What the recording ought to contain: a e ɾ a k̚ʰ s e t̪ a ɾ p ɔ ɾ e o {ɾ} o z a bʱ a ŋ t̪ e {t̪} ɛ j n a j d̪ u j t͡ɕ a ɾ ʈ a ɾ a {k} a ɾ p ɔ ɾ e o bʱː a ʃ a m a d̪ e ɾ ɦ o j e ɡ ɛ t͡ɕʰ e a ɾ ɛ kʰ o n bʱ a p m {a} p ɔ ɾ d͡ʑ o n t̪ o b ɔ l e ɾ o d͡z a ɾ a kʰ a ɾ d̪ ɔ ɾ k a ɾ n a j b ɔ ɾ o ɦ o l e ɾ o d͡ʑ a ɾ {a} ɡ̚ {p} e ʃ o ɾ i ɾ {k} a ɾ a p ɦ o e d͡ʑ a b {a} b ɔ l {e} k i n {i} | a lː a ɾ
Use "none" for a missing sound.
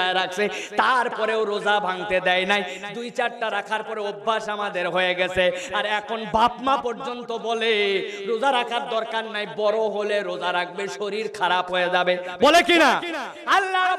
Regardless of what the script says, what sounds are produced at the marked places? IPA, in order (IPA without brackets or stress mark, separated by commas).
ɾ, d̪, kʰ, a, a, b, kʰ, e, e, a